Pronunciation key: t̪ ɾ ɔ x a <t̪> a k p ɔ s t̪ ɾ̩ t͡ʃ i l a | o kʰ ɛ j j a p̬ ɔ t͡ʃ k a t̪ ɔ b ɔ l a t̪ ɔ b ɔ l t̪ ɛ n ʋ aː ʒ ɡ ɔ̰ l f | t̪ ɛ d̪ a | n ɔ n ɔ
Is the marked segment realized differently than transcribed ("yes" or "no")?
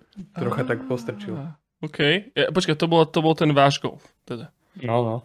no